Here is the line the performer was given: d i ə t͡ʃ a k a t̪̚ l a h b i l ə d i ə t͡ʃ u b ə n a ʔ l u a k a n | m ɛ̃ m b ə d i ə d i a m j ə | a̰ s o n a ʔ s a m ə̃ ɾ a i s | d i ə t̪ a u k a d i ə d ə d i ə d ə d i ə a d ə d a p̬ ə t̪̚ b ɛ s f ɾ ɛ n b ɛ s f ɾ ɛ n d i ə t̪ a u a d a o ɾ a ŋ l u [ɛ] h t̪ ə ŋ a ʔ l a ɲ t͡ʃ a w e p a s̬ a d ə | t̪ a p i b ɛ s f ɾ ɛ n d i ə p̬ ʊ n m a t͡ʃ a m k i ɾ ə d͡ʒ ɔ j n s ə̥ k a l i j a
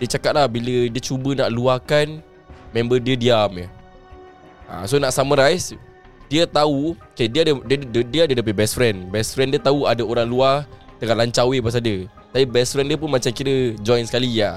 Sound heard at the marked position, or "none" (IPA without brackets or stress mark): a